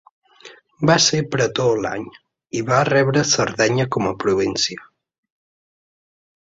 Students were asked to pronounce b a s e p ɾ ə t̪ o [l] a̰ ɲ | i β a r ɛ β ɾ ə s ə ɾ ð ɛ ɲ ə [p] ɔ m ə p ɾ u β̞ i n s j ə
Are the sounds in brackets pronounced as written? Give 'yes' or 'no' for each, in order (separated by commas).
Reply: yes, no